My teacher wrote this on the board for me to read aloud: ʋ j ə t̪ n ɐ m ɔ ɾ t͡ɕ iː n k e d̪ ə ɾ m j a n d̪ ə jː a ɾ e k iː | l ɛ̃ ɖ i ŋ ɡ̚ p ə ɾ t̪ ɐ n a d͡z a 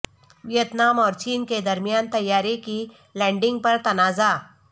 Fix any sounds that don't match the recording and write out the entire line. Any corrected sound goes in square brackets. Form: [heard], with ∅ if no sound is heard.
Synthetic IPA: ʋ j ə t̪ n [a] m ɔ ɾ t͡ɕ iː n k e d̪ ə ɾ m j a n [t̪] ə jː a ɾ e k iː | l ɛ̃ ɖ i ŋ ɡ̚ p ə ɾ t̪ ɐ n a d͡z a